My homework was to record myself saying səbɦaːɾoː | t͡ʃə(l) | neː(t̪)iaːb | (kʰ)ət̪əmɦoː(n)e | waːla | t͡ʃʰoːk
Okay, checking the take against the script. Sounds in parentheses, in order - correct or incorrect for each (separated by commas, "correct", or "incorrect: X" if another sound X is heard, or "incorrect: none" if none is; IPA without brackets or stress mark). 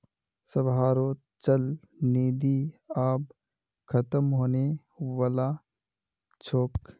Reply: correct, incorrect: d̪, correct, correct